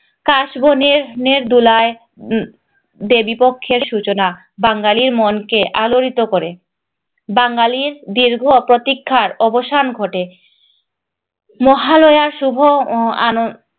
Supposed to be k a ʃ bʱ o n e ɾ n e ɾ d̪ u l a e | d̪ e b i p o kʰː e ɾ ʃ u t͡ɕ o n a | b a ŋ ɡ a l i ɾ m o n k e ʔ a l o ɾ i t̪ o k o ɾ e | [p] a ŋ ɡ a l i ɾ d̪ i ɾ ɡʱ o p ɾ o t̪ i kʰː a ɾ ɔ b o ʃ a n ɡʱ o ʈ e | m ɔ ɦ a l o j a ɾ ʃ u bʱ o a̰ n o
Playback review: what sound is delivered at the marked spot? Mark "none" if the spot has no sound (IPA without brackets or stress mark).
b